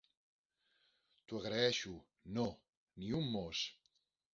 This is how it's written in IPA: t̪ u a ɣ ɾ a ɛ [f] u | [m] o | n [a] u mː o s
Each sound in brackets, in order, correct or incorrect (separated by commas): incorrect, incorrect, incorrect